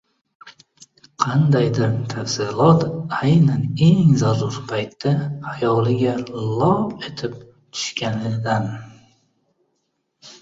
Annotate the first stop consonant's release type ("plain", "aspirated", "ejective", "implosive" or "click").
aspirated